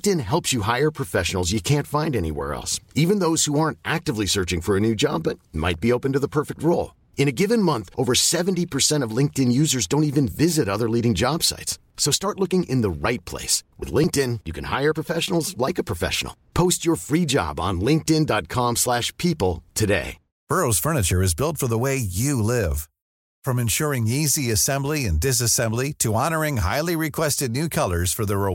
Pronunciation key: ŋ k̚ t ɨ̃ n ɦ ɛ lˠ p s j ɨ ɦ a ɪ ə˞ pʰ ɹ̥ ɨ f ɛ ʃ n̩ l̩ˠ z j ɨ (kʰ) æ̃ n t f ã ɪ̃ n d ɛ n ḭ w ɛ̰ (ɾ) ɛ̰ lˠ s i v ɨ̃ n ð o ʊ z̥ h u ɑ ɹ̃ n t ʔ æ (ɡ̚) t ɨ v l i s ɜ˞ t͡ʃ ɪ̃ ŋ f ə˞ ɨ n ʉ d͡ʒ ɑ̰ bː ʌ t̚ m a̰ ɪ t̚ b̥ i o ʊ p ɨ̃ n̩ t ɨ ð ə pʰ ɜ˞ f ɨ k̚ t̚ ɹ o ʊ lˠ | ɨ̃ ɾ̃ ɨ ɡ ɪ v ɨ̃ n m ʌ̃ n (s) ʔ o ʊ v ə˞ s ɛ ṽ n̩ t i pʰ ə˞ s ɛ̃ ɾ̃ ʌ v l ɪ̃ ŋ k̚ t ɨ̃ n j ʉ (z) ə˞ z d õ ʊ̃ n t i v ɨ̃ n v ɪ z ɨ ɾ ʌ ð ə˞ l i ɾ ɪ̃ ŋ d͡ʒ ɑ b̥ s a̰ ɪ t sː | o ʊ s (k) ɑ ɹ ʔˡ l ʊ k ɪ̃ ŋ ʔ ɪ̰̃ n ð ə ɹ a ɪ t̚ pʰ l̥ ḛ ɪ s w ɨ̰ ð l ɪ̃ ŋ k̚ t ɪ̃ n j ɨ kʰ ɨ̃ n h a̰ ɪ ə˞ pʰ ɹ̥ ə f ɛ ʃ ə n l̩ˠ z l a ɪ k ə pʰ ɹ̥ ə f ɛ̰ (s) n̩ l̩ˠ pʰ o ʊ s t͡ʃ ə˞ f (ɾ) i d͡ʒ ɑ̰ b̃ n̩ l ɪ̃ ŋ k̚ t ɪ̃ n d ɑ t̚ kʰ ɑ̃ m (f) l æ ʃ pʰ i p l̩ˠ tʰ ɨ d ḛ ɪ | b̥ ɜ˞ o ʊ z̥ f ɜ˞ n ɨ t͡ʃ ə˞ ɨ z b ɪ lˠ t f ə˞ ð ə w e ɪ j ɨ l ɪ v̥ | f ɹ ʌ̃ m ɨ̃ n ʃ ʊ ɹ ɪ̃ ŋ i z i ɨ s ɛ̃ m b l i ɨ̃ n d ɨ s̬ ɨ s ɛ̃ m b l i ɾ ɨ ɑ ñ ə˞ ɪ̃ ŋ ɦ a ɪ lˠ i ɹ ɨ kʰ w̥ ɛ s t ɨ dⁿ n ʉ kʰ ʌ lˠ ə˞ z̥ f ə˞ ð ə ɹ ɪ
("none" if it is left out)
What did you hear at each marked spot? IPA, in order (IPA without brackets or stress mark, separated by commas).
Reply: kʰ, ɹ, k̚, θ, z, t, ʃ, ɹ, s